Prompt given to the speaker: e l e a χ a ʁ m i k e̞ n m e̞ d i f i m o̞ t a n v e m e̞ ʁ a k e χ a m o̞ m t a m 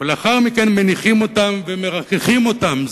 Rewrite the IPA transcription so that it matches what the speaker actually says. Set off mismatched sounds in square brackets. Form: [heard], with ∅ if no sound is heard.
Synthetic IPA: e l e a χ a ʁ m i k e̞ n m e̞ [n] i [χ] i m o̞ t a [m] v e m e̞ ʁ a k e χ [i] m o̞ [∅] t a m